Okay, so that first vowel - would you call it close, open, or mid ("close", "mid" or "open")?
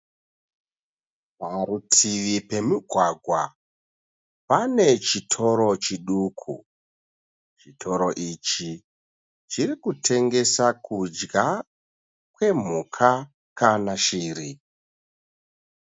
open